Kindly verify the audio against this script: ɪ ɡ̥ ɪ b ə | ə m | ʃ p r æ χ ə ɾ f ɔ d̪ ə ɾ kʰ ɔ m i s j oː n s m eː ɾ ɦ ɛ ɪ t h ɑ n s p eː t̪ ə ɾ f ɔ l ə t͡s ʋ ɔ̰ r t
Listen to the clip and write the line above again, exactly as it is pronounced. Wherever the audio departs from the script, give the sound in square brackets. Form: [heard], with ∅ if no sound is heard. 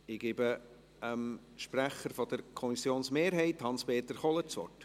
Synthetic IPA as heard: ɪ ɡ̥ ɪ b ə | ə m | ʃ p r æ χ ə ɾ f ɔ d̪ ə ɾ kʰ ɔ m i s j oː n s m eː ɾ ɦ ɛ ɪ t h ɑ n s p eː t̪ ə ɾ [χ] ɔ l ə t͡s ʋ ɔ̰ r t